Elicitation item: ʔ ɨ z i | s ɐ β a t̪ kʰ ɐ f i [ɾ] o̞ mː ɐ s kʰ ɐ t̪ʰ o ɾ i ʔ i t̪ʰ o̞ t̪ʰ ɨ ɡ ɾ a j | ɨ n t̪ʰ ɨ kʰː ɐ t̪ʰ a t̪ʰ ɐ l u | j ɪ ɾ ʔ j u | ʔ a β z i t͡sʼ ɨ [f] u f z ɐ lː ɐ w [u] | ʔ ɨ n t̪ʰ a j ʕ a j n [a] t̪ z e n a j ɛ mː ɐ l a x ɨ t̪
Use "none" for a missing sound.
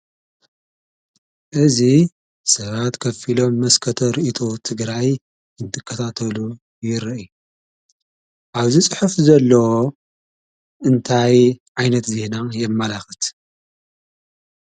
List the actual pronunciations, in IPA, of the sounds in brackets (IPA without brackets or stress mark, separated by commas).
l, ħ, o, ɐ